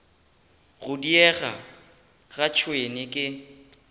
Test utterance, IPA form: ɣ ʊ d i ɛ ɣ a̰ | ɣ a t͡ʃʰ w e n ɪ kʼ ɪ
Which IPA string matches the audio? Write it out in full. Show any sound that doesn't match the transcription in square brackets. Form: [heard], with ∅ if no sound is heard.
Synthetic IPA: ɣ ʊ d i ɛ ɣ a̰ | ɣ a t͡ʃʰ w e n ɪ kʼ ɪ